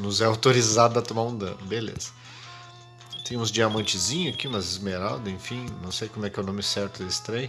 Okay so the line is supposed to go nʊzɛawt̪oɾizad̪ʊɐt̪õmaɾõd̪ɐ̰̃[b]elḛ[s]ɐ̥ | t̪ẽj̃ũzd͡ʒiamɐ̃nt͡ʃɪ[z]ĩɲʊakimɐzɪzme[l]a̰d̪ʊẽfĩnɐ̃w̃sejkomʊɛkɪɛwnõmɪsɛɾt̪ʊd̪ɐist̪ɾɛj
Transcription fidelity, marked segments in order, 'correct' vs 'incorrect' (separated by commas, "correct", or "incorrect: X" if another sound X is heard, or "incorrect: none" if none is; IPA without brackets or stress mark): correct, incorrect: z, correct, incorrect: ɾ